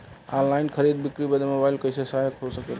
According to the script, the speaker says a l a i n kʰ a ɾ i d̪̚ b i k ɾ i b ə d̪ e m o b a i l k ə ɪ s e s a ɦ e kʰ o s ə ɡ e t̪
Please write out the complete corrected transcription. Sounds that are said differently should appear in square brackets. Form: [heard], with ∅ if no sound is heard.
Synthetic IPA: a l a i n kʰ [ə] ɾ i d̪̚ b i k ɾ i b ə d̪ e m o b a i l k ə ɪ s e s a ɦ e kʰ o s ə [k] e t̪